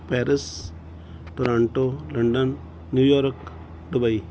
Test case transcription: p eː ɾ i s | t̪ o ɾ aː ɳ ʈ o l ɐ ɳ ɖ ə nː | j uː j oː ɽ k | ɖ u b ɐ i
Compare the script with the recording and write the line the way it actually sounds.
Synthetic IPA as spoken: p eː ɾ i s | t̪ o ɾ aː ɳ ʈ o l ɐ ɳ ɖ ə nː | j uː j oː ɾ k | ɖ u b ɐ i